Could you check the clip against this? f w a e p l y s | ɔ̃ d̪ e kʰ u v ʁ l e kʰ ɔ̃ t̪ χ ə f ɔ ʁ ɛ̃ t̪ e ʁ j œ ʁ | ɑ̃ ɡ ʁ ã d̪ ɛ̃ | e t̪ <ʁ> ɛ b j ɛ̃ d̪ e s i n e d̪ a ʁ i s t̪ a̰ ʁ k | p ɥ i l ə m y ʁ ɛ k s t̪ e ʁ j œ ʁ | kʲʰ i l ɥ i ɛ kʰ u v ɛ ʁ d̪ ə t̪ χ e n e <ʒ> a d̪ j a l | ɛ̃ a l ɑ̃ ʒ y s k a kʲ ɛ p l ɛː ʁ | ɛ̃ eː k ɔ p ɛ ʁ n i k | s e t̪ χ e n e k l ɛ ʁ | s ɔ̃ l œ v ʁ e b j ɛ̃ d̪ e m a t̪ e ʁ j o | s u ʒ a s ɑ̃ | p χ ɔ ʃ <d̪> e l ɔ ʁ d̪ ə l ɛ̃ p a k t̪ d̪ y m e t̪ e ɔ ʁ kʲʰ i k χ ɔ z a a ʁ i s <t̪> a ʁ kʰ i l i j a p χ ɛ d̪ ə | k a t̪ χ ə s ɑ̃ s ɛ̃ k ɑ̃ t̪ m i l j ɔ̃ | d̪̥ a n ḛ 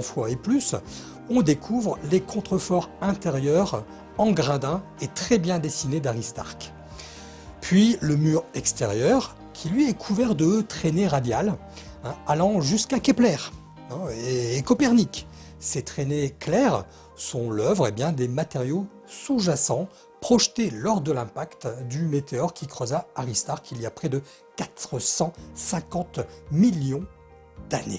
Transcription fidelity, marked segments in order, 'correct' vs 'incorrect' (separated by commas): incorrect, incorrect, incorrect, correct